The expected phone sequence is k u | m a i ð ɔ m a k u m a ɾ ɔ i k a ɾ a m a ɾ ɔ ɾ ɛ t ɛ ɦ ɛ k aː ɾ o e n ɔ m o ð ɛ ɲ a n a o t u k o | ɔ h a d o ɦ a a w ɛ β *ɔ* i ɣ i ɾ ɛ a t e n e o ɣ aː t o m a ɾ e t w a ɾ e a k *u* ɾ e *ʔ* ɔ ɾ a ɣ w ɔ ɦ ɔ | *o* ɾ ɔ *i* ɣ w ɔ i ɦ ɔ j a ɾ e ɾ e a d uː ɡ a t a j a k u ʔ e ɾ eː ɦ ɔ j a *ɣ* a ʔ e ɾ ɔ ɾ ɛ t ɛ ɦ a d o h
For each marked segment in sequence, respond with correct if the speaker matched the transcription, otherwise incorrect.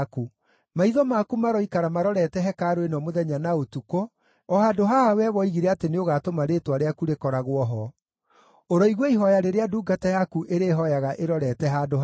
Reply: correct, correct, incorrect: k, correct, correct, correct

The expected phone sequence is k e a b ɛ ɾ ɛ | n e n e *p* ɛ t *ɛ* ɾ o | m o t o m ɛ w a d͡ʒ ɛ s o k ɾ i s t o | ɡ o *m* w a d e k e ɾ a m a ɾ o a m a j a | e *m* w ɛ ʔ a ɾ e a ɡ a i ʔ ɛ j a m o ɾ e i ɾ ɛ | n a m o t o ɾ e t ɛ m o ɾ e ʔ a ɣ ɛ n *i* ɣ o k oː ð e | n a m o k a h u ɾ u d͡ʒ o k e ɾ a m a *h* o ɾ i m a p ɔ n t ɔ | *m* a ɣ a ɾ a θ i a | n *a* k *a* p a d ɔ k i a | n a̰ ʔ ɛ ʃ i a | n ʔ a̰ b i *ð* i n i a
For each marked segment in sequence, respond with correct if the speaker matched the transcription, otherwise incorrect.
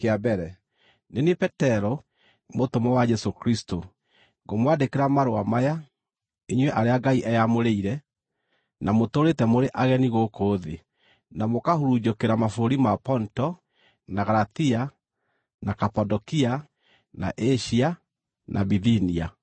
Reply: correct, correct, correct, incorrect: ɲ, correct, incorrect: f, incorrect: n, correct, correct, correct

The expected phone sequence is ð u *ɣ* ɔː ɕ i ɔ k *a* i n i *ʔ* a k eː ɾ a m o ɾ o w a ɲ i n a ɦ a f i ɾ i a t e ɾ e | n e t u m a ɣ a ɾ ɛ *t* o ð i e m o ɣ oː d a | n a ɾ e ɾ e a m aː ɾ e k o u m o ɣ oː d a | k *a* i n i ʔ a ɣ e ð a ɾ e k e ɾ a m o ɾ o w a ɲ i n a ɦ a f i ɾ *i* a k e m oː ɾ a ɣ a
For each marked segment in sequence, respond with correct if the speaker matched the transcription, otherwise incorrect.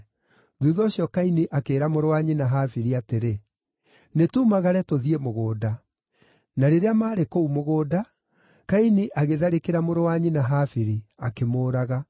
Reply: incorrect: ð, correct, correct, correct, correct, correct

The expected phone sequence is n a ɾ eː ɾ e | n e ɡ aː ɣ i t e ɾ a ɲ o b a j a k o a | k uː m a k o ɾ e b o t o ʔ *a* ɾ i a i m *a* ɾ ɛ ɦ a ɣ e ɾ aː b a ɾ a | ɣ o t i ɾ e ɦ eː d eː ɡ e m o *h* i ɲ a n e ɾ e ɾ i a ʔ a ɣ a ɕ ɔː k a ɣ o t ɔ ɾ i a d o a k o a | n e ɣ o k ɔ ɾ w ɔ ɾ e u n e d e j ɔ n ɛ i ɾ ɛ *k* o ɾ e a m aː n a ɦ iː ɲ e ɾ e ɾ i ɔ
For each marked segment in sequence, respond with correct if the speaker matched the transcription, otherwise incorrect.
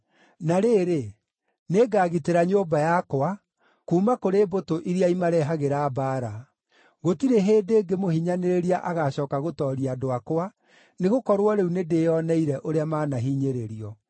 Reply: incorrect: i, correct, correct, incorrect: ʔ

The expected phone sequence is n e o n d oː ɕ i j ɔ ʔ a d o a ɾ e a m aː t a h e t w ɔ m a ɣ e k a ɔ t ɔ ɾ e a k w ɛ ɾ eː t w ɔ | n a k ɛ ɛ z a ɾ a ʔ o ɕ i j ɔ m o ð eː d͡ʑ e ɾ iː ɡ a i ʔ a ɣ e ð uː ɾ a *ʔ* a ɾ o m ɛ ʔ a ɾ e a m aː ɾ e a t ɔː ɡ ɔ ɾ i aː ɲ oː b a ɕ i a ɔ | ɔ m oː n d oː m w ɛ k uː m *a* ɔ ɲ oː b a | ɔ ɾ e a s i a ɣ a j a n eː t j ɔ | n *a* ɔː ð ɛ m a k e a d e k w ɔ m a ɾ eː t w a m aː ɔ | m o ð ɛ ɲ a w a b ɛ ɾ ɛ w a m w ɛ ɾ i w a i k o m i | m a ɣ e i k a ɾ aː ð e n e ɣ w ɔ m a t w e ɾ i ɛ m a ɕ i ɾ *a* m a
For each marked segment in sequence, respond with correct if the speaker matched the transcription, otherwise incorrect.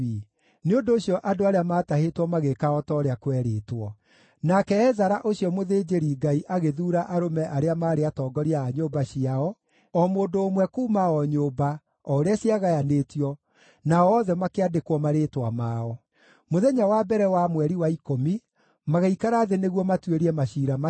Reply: correct, correct, correct, correct

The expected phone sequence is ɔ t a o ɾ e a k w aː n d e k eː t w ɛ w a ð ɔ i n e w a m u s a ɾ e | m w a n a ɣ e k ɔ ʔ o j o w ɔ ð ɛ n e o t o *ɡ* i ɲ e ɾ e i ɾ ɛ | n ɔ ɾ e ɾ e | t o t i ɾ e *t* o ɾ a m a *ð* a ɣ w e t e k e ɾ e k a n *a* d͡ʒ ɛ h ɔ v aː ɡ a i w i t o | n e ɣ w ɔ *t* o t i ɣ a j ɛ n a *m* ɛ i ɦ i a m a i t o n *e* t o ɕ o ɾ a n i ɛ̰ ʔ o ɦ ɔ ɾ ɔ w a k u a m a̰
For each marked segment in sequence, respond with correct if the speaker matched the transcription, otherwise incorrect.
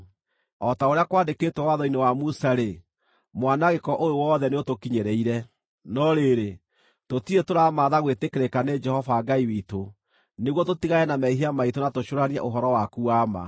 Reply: incorrect: k, correct, correct, incorrect: e, correct, correct, incorrect: a

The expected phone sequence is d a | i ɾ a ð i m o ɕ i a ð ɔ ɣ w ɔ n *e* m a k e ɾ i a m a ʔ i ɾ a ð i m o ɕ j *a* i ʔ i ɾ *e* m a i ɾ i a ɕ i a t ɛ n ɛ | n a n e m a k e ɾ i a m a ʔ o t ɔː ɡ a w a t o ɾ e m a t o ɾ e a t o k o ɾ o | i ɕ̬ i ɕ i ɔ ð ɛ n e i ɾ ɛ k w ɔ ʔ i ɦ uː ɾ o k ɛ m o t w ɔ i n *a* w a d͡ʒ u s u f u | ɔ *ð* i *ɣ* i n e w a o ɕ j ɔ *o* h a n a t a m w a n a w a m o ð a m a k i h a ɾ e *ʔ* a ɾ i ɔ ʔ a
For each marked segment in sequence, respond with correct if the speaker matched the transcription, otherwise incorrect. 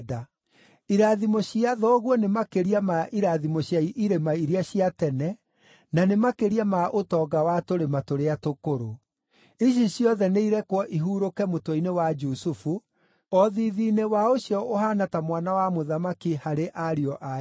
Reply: correct, correct, correct, incorrect: e, correct, incorrect: ð, correct, correct

